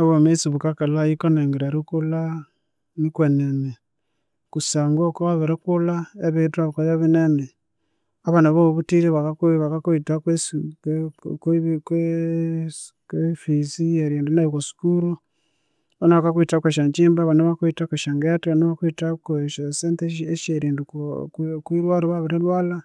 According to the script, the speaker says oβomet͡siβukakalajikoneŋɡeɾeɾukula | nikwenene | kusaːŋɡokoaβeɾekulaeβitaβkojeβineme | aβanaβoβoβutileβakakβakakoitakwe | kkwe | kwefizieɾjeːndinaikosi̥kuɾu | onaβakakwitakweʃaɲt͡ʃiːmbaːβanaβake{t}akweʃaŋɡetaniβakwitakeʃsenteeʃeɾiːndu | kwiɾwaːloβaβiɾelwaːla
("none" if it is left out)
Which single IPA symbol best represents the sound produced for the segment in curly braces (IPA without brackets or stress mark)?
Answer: t